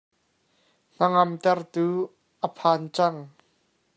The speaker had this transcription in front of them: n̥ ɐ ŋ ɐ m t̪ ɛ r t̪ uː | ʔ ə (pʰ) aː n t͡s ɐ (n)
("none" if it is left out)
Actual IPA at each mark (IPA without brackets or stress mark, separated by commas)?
pʰ, ŋ